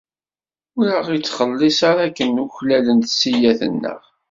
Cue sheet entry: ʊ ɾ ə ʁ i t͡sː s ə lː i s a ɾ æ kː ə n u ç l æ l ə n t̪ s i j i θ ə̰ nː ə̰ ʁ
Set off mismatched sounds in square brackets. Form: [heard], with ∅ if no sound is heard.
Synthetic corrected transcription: ʊ ɾ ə ʁ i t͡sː [χ] ə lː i s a ɾ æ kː ə n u ç l æ l ə n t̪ s i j [æ] θ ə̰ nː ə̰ ʁ